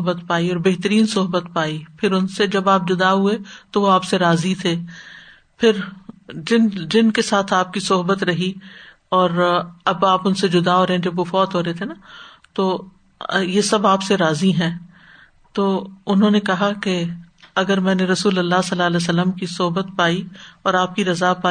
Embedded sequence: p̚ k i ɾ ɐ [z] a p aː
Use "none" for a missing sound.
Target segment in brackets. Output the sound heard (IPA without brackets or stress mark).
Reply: z